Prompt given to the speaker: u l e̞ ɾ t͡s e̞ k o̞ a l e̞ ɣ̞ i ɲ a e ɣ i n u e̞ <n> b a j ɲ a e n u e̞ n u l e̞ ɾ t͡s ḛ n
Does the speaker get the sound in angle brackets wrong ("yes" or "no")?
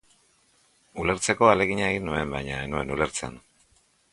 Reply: yes